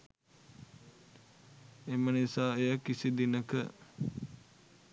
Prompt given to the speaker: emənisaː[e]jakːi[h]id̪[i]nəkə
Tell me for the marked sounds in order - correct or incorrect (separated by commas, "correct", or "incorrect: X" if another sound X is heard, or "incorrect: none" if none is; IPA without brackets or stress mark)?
correct, incorrect: s, correct